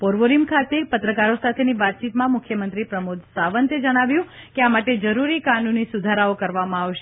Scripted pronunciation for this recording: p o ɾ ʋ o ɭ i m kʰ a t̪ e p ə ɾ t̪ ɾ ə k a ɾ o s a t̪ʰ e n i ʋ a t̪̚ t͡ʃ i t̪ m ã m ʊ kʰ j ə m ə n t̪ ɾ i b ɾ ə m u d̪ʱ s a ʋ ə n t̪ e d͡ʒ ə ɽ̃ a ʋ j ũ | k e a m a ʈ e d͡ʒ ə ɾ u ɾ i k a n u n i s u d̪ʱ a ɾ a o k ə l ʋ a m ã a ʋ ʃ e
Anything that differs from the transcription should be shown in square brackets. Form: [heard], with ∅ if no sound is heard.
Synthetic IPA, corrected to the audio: p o ɾ ʋ o [ɾ] i m kʰ a t̪ e p ə [∅] t̪ ɾ ə k a ɾ o s a t̪ʰ e n i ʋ a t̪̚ t͡ʃ i t̪ m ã m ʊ kʰ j ə m ə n t̪ ɾ i [p] ɾ ə m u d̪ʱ s a ʋ ə n t̪ e d͡ʒ ə ɽ̃ a ʋ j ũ | k e a m a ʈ e d͡ʒ ə ɾ u ɾ i k a n u n i s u d̪ʱ a ɾ a o k ə [ɾ] ʋ a m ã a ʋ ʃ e